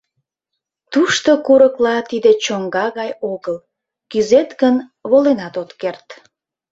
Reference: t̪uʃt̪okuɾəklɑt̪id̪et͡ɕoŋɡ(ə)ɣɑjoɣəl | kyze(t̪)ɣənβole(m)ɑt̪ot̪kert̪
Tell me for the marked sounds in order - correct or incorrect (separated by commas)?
incorrect, correct, incorrect